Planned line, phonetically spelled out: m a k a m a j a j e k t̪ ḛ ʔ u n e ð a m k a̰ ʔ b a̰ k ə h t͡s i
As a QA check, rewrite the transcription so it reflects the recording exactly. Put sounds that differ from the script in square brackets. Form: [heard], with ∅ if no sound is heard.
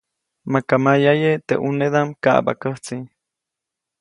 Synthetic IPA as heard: m a k a m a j a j e [∅] t̪ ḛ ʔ u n e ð a m k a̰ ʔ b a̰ k ə h t͡s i